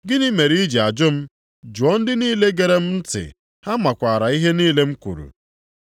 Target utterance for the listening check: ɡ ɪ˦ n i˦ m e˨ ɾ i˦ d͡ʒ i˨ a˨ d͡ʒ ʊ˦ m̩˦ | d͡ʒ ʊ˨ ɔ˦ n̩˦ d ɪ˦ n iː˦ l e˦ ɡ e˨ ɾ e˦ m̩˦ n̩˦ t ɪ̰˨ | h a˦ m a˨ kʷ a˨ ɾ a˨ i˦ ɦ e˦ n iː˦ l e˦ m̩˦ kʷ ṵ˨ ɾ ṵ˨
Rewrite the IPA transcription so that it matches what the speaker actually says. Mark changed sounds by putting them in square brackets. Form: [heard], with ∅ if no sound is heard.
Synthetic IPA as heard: ɡ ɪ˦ n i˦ m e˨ ɾ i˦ d͡ʒ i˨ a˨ d͡ʒ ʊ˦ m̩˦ | d͡ʒ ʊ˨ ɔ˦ n̩˦ d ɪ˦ n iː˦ l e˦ ɡ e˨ ɾ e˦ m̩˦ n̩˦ t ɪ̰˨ | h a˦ m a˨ kʷ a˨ ɾ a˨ i˦ ɦ e˦ n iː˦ l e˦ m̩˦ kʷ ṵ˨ ɾ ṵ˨

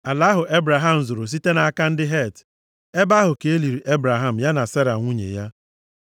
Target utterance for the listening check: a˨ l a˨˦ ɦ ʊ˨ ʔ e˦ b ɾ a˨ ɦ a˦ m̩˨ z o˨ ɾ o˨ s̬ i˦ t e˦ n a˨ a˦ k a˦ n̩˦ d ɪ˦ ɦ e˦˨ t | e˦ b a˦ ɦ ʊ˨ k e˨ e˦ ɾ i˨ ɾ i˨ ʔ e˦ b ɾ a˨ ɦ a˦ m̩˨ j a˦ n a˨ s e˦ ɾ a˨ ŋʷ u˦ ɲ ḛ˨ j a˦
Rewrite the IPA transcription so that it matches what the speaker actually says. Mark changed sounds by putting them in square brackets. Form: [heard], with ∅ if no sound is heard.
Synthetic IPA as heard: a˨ l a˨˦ ɦ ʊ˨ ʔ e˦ b ɾ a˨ ɦ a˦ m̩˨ z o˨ ɾ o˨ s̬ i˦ t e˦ n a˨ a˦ k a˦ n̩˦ d ɪ˦ ɦ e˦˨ t | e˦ b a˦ ɦ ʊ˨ k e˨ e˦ [l] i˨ ɾ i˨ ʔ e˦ b ɾ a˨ ɦ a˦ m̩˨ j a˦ n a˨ s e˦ ɾ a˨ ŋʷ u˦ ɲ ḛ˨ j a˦

